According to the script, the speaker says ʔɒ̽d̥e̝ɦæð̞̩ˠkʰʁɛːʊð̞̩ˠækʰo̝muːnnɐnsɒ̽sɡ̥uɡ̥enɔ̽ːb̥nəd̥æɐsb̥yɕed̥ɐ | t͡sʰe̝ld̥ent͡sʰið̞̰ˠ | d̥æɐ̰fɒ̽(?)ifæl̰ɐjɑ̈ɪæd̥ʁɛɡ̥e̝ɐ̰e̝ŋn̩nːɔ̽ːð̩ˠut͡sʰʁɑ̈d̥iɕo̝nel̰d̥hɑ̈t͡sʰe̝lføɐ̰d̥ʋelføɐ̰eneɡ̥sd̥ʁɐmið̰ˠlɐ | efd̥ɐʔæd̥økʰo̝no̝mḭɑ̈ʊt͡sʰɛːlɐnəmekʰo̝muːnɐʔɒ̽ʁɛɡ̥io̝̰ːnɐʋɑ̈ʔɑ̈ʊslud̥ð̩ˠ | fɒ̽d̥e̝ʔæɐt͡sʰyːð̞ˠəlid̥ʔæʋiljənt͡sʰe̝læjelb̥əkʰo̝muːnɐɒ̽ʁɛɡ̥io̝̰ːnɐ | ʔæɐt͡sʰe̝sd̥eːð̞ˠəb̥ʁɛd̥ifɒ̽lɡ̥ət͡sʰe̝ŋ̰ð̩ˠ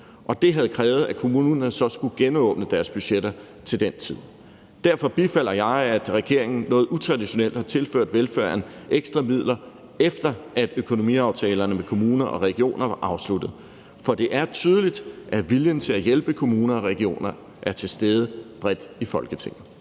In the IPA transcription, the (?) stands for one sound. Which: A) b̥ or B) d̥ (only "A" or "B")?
A